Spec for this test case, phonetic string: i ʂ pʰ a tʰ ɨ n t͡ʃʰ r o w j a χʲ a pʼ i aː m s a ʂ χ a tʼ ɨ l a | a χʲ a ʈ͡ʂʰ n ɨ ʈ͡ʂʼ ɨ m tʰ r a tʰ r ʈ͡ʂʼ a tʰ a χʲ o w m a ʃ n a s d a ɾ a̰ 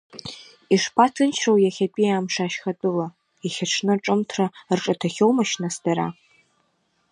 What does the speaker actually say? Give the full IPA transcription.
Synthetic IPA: i ʂ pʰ a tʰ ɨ n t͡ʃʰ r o w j a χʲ a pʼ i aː m ʂ a ʃ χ a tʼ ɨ l a | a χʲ a ʈ͡ʂʰ n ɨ ʈ͡ʂʼ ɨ m tʰ r a r ʈ͡ʂʼ a tʰ a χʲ o w m a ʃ n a s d a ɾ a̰

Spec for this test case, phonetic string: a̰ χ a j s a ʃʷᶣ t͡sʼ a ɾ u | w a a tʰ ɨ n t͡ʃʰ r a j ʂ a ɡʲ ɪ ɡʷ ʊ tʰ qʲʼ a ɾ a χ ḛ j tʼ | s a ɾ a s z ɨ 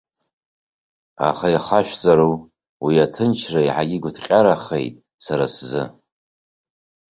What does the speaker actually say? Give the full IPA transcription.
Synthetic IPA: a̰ χ a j χ a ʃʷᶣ t͡sʼ a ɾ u | w i a tʰ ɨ n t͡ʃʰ r a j ħ a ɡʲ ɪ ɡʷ ʊ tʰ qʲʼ a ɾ a χ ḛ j tʼ | s a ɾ a s z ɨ

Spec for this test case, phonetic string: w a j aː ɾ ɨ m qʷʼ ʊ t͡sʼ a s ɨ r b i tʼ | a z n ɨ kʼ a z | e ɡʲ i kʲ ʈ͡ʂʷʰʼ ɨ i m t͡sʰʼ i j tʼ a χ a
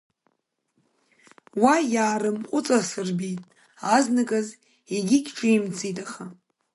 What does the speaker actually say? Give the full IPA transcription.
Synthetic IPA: w a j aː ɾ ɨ m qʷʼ ʊ t͡sʼ a s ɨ r b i tʼ | a z n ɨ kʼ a z | e ɡʲ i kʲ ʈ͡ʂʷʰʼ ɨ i m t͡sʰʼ i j tʼ a χ a

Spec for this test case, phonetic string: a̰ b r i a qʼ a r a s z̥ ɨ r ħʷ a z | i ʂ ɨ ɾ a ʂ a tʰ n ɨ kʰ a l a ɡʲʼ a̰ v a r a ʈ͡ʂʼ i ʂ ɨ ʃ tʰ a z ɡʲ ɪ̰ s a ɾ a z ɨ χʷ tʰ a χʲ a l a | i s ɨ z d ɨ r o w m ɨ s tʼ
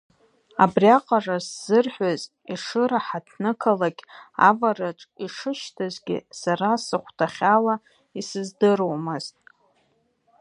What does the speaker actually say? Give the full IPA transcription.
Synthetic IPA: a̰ b r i a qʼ a r a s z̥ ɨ r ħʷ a z | i ʂ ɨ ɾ a ħ a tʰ n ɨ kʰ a l a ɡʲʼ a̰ v a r a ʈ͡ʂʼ i ʂ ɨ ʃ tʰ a z ɡʲ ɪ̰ s a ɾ a s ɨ χʷ tʰ a χʲ a l a | i s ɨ z d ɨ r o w m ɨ z tʼ

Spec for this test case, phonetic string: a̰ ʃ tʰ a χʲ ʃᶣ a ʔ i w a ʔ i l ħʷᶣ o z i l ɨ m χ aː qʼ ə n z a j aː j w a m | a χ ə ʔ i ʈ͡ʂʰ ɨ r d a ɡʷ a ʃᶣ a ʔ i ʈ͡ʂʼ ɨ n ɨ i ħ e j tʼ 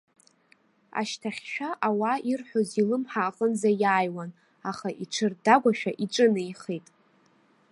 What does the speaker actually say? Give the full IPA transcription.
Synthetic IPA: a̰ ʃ tʰ a χʲ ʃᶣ a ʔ a w a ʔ i r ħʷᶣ o z i l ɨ m ħ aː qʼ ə n z a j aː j w a n | a χ a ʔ i ʈ͡ʂʰ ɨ r d a ɡʷ a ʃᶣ a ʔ i ʈ͡ʂʼ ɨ n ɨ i χ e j tʼ

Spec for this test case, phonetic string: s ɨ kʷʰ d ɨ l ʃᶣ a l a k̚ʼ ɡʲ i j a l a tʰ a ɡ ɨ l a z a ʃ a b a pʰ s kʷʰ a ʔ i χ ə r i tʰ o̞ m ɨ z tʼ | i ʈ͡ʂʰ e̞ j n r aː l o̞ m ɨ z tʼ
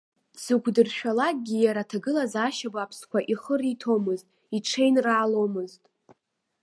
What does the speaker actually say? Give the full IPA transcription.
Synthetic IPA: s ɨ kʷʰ d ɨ r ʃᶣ a l a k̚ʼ ɡʲ i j a ɾ a tʰ a ɡ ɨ l a z a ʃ a b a pʰ s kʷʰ a ʔ i χ ə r i tʰ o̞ m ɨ z tʼ | i ʈ͡ʂʰ e̞ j n r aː l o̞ m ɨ z tʼ

